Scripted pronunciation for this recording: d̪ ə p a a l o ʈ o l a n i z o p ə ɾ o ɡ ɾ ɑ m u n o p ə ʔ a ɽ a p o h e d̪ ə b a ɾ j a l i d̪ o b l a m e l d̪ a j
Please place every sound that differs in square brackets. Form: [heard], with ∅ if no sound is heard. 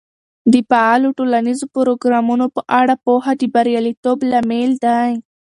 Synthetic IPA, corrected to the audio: d̪ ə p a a l o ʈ o l a n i z o p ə ɾ o ɡ ɾ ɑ m u n o p ə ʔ a ɽ a p o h [a] d̪ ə b a ɾ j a l i [t̪] o b l a m e l d̪ a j